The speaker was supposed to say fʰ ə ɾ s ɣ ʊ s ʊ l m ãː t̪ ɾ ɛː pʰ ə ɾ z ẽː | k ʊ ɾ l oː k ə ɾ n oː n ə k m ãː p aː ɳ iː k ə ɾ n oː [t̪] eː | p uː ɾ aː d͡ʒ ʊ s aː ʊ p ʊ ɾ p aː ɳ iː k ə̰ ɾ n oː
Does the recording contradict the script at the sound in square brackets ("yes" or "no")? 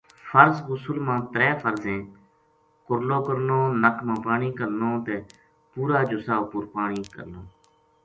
no